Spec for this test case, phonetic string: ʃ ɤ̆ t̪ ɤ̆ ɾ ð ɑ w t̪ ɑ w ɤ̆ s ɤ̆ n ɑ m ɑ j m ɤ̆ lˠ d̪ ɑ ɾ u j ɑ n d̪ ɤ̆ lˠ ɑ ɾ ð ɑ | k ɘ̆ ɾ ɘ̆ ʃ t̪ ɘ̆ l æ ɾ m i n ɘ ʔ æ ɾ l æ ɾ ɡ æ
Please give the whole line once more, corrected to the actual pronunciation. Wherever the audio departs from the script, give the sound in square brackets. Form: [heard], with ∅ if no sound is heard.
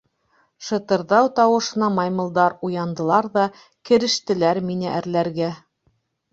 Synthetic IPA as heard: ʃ ɤ̆ t̪ ɤ̆ ɾ ð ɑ w t̪ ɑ w ɤ̆ [ʃ] ɤ̆ n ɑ m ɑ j m ɤ̆ lˠ d̪ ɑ ɾ u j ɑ n d̪ ɤ̆ lˠ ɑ ɾ ð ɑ | k ɘ̆ ɾ ɘ̆ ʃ t̪ ɘ̆ l æ ɾ m i n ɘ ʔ æ ɾ l æ ɾ ɡ æ

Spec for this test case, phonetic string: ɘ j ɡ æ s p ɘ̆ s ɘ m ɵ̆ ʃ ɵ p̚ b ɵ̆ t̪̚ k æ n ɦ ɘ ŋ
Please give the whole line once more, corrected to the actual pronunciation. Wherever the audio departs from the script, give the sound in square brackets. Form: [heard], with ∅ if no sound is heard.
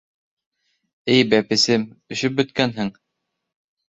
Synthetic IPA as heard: ɘ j [b] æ [∅] p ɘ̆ s ɘ m ɵ̆ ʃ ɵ p̚ b ɵ̆ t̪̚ k æ n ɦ ɘ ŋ

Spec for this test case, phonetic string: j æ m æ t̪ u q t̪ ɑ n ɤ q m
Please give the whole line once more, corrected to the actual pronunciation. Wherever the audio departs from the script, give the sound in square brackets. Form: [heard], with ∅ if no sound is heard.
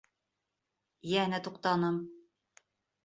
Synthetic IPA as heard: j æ [n] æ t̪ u q t̪ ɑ n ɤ [∅] m

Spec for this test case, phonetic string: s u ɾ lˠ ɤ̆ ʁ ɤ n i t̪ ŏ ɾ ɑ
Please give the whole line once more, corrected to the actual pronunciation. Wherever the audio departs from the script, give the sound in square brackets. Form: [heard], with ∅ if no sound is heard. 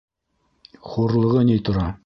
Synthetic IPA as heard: [χ] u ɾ lˠ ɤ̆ ʁ ɤ n i t̪ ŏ ɾ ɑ

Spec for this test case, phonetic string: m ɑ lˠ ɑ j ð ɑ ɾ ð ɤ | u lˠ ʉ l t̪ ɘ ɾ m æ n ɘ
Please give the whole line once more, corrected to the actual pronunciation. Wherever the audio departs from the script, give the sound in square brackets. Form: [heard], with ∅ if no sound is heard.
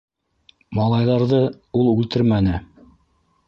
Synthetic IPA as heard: m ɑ lˠ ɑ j ð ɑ ɾ ð ɤ | u lˠ ʉ l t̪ ɘ ɾ m æ n ɘ

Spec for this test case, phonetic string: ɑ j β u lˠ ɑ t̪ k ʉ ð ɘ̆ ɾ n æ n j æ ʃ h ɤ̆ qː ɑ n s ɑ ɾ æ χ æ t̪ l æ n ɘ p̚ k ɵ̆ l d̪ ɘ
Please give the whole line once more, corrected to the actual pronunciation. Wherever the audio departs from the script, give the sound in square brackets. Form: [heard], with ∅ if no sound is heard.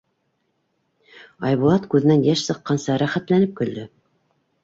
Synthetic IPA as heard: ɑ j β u lˠ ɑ t̪ k ʉ ð ɘ̆ [∅] n æ n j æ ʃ [s] ɤ̆ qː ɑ n s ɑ ɾ æ χ æ t̪ l æ n ɘ p̚ k ɵ̆ l d̪ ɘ

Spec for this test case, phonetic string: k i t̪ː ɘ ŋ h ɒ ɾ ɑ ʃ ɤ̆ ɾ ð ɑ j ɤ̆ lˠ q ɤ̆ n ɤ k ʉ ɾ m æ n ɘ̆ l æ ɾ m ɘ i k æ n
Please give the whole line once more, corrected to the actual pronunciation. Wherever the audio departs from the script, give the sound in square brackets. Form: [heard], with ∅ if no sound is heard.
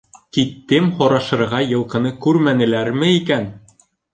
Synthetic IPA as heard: k i t̪ː ɘ [m] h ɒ ɾ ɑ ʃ ɤ̆ ɾ [ʁ] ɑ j ɤ̆ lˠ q ɤ̆ n ɤ k ʉ ɾ m æ n ɘ̆ l æ ɾ m ɘ i k æ n

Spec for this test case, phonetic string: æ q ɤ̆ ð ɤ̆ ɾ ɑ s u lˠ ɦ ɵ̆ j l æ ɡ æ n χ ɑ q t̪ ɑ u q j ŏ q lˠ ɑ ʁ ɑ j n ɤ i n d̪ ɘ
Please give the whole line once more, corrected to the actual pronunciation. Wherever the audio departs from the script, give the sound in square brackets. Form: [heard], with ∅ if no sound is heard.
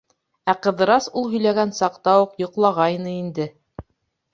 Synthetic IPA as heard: æ q ɤ̆ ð ɤ̆ ɾ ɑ s u lˠ ɦ ɵ̆ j l æ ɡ æ n [s] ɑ q t̪ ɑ u q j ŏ q lˠ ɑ ʁ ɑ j n ɤ i n d̪ ɘ

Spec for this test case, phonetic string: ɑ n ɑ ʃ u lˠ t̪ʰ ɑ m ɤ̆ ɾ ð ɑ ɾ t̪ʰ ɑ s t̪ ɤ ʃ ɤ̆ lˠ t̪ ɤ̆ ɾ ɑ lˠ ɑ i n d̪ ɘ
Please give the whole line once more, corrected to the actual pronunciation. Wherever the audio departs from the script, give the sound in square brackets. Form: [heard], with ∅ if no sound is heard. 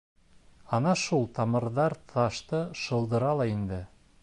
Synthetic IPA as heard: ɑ n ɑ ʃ u lˠ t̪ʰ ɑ m ɤ̆ ɾ ð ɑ ɾ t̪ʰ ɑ [ʃ] t̪ ɤ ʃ ɤ̆ lˠ [d̪] ɤ̆ ɾ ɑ lˠ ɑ i n d̪ ɘ

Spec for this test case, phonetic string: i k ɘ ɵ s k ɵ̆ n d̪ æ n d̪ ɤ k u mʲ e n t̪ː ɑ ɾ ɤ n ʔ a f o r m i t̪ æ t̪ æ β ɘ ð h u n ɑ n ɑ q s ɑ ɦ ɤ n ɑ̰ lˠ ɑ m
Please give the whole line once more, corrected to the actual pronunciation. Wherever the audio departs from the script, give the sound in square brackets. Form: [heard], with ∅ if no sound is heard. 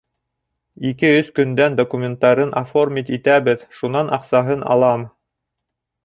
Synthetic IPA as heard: i k ɘ ɵ s k ɵ̆ n d̪ æ n d̪ [o] k u mʲ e n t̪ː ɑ ɾ ɤ n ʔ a f o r m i t̪ [i] t̪ æ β ɘ ð [ʃ] u n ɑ n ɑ q s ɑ ɦ ɤ n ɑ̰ lˠ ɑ m

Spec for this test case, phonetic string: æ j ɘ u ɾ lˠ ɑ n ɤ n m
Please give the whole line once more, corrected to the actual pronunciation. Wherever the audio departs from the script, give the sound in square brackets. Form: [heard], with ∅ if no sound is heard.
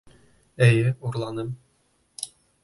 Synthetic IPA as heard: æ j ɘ u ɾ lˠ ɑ n ɤ [∅] m

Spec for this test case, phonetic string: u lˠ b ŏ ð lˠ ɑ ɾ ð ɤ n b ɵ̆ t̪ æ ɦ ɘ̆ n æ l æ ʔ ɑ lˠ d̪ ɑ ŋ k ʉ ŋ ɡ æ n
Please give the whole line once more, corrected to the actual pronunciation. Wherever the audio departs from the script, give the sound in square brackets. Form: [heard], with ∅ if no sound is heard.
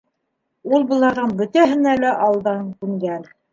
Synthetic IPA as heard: u lˠ b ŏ [∅] lˠ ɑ ɾ ð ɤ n b ɵ̆ t̪ æ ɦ ɘ̆ n æ l æ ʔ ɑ lˠ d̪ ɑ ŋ k ʉ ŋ ɡ æ n

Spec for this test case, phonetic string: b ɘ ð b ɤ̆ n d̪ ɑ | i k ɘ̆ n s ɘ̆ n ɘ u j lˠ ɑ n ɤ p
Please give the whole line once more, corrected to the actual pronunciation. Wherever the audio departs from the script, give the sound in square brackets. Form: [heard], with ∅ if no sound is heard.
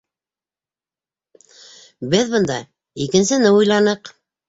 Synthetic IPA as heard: b ɘ ð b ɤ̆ n d̪ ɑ | i k ɘ̆ n s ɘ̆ n ɘ u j lˠ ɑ n ɤ [q]

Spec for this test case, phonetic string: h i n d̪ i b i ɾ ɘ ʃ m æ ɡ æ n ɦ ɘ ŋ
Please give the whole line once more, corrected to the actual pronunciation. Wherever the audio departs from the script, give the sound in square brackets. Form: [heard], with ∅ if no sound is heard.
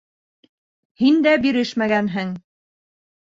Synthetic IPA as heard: h i n d̪ [æ] b i ɾ ɘ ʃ m æ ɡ æ n ɦ ɘ ŋ

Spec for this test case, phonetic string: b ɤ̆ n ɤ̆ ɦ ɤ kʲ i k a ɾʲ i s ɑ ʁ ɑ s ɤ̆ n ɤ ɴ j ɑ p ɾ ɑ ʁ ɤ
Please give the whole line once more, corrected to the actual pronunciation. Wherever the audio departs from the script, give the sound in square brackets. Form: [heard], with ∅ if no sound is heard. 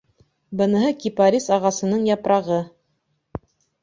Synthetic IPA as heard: b ɤ̆ n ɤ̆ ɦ ɤ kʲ i [p] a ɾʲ i s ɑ ʁ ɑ s ɤ̆ n ɤ ɴ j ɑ p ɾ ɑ ʁ ɤ

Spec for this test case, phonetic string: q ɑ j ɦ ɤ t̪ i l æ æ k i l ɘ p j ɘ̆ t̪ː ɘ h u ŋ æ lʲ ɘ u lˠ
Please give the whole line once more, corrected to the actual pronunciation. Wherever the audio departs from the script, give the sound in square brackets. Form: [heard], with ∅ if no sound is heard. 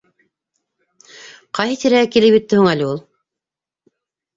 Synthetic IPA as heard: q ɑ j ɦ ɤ t̪ i [ɾ] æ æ k i l ɘ p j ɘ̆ t̪ː ɘ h u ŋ æ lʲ ɘ u lˠ

